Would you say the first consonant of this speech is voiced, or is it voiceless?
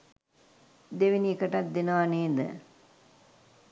voiced